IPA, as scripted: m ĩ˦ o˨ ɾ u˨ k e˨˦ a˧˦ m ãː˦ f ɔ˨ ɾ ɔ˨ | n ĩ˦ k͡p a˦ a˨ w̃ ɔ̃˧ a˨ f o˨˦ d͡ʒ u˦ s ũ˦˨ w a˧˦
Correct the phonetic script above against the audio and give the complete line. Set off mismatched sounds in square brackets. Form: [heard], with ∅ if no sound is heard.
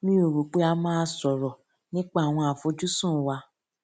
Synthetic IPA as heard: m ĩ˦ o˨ ɾ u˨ [k͡p] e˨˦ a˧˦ m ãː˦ [s] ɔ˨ ɾ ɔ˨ | n ĩ˦ k͡p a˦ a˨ w̃ ɔ̃˧ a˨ f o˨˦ d͡ʒ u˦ s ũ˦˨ w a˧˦